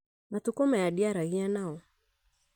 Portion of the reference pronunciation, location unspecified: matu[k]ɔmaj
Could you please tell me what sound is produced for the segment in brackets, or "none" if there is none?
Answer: k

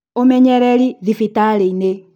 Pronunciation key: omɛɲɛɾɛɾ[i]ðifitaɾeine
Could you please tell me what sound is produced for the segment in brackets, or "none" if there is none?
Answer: i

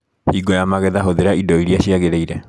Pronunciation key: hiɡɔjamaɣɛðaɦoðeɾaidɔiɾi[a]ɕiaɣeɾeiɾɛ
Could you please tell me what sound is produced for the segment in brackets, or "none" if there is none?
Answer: a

